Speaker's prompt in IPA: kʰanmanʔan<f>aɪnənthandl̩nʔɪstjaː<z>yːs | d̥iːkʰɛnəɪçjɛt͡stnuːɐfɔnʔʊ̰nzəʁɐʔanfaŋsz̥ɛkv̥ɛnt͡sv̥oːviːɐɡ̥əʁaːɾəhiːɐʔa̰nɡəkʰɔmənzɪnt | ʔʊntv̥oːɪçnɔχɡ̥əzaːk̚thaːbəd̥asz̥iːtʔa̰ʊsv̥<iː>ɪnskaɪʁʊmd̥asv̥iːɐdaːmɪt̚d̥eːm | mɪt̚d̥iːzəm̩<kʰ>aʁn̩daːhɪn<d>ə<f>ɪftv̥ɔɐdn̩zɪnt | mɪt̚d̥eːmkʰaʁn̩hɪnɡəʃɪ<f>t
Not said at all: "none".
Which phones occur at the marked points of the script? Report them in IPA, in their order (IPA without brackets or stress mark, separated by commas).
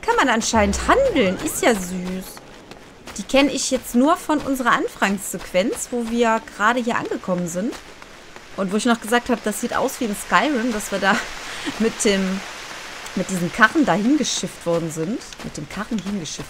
ʃ, z, iː, kʰ, ɡ, ʃ, f